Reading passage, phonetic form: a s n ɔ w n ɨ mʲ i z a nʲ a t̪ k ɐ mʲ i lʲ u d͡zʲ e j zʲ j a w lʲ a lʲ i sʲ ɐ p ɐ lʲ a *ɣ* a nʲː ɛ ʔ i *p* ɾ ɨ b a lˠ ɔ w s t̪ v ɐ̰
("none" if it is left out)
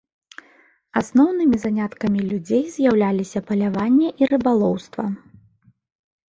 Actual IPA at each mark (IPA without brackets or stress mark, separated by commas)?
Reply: v, none